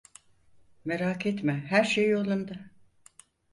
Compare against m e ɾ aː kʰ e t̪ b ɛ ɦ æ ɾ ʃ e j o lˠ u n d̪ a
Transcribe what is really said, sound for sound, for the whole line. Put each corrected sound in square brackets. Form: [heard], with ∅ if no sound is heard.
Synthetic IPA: m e ɾ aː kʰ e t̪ [m] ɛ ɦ æ ɾ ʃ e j o lˠ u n d̪ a

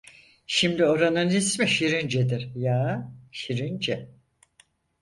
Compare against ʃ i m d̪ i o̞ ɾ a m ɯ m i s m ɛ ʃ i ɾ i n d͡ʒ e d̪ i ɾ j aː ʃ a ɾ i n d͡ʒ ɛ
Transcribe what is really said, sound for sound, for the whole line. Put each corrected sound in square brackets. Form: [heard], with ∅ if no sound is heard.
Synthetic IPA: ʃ i m d̪ i o̞ ɾ a [n] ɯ [n] i s m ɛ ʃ i ɾ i n d͡ʒ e d̪ i ɾ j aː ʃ [i] ɾ i n d͡ʒ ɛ

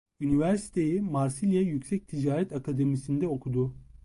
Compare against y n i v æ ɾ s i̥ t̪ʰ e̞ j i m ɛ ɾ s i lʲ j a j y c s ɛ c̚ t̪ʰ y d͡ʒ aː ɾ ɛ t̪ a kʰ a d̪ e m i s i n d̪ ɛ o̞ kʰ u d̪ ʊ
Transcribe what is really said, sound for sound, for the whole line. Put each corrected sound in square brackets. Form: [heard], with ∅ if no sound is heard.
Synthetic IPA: y n i v æ ɾ s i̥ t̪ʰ e̞ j i m [a] ɾ s i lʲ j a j y c s ɛ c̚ t̪ʰ [i] d͡ʒ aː ɾ ɛ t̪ a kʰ a d̪ e m i s i n d̪ ɛ o̞ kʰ u d̪ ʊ

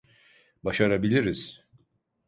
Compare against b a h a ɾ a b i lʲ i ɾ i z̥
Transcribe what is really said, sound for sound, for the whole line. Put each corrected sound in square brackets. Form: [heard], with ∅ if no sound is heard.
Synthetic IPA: b a [ʃ] a ɾ a b i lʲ i ɾ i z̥

